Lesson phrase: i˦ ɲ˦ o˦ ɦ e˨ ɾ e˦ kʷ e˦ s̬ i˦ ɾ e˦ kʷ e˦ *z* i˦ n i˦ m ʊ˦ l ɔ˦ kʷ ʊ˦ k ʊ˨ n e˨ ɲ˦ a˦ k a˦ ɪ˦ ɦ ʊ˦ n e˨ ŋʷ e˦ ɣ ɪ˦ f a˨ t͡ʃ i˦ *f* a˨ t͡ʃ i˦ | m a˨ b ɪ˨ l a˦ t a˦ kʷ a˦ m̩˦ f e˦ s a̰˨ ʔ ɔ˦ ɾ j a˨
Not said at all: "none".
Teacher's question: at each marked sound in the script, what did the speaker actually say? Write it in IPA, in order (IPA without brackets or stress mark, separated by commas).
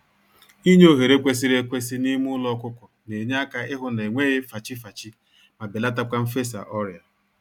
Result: s, f